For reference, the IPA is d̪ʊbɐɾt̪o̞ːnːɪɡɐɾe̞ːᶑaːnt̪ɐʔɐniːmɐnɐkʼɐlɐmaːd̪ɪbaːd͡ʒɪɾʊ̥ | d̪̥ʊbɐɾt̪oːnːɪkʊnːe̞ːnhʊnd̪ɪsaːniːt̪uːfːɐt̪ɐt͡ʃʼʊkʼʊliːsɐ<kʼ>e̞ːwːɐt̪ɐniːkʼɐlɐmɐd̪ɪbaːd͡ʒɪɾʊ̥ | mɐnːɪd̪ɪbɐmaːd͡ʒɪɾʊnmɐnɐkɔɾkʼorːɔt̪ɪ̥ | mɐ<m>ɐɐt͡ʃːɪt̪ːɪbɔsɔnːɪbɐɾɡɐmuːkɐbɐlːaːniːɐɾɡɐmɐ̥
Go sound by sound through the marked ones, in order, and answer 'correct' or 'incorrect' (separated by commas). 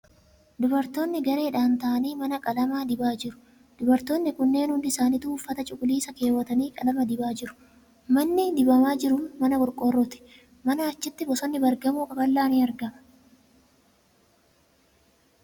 incorrect, incorrect